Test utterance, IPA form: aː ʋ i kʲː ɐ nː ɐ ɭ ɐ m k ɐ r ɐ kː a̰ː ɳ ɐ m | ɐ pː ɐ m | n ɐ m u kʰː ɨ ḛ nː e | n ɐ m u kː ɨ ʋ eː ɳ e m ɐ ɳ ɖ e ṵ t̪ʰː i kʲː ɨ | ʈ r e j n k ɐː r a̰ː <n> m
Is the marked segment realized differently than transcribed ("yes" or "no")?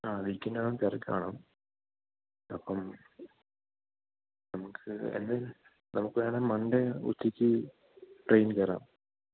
yes